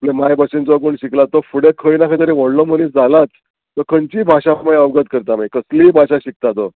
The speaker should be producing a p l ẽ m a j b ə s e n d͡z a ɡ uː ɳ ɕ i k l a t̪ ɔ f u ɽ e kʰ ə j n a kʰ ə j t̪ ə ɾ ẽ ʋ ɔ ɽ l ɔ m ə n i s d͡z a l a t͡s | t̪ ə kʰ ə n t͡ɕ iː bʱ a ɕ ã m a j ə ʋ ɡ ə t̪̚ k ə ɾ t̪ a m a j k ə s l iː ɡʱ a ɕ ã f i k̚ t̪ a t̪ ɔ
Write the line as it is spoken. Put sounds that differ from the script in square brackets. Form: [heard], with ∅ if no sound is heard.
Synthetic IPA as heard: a p l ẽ m a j b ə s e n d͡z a ɡ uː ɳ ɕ i k l a t̪ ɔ f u ɽ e kʰ ə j n a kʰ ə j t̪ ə ɾ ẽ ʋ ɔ ɽ l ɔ m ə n i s d͡z a l a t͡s | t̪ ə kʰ ə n t͡ɕ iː bʱ a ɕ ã m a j ə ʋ ɡ ə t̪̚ k ə ɾ t̪ a m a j k ə s l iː [bʱ] a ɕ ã [ɕ] i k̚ t̪ a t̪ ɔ